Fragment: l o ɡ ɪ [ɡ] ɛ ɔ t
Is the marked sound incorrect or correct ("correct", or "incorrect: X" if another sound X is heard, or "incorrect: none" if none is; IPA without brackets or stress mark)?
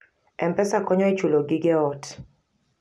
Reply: correct